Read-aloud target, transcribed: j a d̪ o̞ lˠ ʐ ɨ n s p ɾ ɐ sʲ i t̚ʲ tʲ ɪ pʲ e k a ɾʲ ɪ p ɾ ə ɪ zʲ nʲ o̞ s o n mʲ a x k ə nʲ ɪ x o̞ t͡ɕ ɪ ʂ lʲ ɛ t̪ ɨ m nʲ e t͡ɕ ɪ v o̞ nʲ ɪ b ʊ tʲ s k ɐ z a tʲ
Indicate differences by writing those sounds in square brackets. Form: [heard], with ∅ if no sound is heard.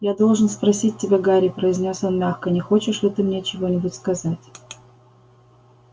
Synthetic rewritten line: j a d̪ o̞ lˠ ʐ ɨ n s p ɾ ɐ sʲ i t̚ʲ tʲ ɪ [bʲ] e [ɡ] a ɾʲ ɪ p ɾ ə ɪ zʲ nʲ o̞ s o n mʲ a x k ə nʲ ɪ x o̞ t͡ɕ ɪ ʂ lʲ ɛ t̪ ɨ m nʲ e t͡ɕ ɪ v o̞ nʲ ɪ b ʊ tʲ s k ɐ z a tʲ